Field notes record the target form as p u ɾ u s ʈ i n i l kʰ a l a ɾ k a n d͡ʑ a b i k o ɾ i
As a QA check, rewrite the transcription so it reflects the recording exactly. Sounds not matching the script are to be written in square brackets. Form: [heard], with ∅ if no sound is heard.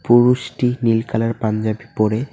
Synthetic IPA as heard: p u ɾ u [ʃ] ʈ i n i l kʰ a l a ɾ [p] a n d͡ʑ a b i [p] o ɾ [e]